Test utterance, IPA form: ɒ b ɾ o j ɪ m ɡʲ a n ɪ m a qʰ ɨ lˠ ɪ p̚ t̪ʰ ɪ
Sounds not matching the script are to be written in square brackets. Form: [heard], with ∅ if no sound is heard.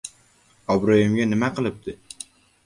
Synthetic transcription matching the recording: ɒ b ɾ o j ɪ m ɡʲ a n ɪ m a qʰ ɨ lˠ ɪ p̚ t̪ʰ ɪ